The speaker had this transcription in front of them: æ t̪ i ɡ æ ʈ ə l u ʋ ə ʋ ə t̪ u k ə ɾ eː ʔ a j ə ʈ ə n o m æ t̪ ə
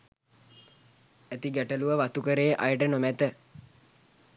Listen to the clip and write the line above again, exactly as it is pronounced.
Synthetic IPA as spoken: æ t̪ i ɡ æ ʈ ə l u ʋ ə ʋ a t̪ u k ə ɾ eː ʔ a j ə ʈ ə n o m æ t̪ ə